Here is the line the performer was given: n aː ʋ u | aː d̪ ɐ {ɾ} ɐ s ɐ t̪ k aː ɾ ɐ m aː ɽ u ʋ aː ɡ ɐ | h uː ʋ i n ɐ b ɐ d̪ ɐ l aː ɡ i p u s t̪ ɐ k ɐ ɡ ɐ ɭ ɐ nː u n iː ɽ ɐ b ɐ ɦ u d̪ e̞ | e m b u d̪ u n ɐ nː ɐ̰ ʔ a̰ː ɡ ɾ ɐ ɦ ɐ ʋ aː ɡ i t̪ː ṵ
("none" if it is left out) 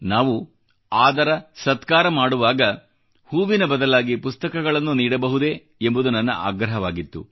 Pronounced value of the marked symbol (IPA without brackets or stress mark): ɾ